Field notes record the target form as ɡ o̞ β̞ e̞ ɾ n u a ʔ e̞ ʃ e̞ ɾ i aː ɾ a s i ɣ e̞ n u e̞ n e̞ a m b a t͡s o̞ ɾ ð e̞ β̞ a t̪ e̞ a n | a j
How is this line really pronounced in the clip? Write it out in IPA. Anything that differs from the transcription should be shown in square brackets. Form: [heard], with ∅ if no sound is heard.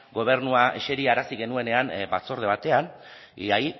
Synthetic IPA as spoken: ɡ o̞ β̞ e̞ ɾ n u a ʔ e̞ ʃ e̞ ɾ i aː ɾ a s i ɣ e̞ n u e̞ n e̞ a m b a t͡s o̞ ɾ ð e̞ β̞ a t̪ e̞ a n | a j